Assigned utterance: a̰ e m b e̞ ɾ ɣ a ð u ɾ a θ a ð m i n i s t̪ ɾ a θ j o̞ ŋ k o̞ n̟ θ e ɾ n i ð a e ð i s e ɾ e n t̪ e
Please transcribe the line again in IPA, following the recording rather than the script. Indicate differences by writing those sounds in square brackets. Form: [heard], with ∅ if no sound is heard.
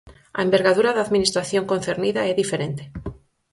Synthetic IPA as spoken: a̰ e m b e̞ ɾ ɣ a ð u ɾ a [ð] a ð m i n i s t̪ ɾ a θ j o̞ ŋ k o̞ n̟ θ e ɾ n i ð a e ð i [f] e ɾ e n t̪ e